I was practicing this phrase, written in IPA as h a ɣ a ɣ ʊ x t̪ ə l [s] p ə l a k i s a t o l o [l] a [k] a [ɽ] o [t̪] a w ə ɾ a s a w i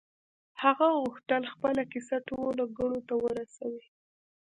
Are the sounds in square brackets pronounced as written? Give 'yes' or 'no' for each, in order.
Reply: no, yes, no, yes, yes

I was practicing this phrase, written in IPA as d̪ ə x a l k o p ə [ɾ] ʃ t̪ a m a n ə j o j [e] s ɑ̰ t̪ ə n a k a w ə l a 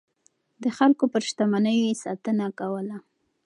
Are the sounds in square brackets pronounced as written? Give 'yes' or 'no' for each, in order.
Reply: yes, yes

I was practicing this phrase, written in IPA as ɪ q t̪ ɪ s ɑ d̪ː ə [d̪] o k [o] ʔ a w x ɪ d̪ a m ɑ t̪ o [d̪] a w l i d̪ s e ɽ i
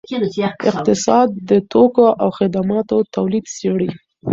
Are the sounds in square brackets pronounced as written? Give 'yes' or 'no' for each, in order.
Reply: no, yes, no

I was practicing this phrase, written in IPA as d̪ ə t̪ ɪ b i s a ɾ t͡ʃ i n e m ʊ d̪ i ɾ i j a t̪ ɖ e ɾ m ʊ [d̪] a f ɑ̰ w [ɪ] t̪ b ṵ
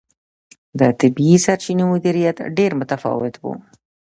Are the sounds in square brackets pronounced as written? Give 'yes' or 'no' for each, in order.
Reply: no, yes

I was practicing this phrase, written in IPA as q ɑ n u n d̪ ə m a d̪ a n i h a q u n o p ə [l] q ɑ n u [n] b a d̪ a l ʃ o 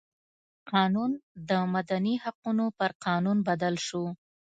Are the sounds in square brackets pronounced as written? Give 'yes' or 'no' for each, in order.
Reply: no, yes

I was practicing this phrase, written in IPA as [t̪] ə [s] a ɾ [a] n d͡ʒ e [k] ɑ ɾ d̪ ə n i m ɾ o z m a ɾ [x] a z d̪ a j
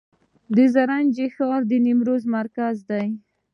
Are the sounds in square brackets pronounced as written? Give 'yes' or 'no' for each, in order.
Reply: no, no, yes, no, no

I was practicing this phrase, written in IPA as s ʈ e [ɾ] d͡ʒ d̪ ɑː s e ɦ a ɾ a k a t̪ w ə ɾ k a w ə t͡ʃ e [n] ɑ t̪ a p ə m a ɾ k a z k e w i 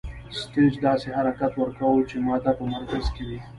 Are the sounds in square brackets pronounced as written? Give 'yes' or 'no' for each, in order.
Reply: no, no

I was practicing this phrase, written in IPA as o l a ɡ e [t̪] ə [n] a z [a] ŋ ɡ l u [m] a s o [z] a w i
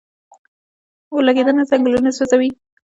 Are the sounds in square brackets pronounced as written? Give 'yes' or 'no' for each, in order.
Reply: no, yes, yes, no, yes

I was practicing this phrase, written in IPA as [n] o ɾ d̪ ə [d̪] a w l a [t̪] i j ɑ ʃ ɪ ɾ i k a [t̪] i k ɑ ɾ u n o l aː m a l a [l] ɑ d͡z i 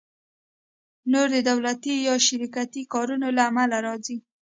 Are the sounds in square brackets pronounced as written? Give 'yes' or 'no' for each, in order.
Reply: yes, yes, yes, yes, no

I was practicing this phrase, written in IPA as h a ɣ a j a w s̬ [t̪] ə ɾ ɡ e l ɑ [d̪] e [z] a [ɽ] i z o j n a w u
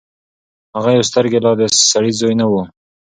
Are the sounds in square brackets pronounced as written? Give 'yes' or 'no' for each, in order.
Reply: yes, yes, no, yes

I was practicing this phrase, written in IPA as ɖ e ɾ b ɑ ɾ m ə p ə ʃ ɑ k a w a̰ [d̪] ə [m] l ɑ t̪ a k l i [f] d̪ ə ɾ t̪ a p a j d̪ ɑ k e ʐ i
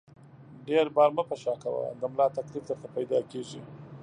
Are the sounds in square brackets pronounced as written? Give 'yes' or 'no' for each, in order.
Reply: yes, yes, yes

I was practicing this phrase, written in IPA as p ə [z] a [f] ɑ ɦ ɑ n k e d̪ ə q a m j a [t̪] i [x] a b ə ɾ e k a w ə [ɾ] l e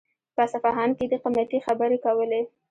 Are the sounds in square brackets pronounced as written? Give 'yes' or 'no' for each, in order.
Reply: no, yes, yes, yes, no

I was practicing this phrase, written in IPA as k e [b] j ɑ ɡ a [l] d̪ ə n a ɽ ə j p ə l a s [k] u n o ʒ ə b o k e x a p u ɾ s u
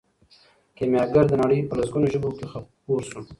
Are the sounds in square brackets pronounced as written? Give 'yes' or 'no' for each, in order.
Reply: no, no, no

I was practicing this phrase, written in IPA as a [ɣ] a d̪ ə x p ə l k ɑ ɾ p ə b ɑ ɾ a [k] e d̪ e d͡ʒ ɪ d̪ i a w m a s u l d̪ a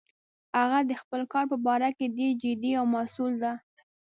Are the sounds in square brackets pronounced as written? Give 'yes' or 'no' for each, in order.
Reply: yes, yes

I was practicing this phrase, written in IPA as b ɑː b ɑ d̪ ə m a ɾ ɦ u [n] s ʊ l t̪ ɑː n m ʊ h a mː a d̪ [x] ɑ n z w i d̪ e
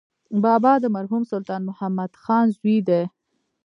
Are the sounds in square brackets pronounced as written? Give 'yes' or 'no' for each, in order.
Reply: no, yes

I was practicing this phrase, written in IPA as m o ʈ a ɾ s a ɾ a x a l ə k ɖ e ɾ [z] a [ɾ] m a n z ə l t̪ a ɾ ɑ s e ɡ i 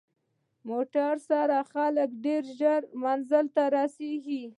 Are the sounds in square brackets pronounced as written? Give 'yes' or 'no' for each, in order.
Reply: no, yes

